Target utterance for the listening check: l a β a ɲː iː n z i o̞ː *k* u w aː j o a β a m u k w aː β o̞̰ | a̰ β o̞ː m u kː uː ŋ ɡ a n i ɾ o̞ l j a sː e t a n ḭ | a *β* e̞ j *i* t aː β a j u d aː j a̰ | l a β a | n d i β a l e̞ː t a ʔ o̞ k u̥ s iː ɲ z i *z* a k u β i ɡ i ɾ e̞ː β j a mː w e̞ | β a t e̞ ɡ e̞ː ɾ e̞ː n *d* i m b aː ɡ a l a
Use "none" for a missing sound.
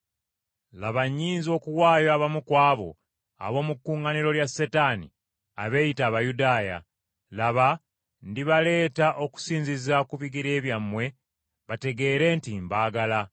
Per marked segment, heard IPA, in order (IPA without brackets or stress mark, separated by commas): k, β, i, z, t